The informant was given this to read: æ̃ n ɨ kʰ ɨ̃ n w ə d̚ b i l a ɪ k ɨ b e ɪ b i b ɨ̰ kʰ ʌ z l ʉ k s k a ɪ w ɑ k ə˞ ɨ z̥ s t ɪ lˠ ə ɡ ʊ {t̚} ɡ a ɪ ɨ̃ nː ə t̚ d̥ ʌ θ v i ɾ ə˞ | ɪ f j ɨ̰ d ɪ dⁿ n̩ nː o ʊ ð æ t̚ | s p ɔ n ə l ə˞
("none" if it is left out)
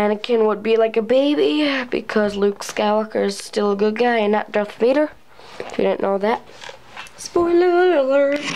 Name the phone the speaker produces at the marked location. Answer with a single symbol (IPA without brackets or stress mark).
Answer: d̚